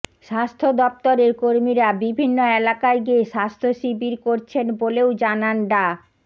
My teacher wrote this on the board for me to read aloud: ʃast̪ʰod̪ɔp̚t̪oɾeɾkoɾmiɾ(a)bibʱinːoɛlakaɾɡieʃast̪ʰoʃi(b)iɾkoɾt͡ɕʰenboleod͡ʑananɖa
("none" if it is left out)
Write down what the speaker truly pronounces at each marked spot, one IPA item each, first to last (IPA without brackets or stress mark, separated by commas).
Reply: a, b